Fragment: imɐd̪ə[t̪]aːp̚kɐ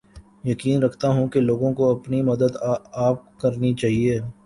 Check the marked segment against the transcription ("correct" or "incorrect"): incorrect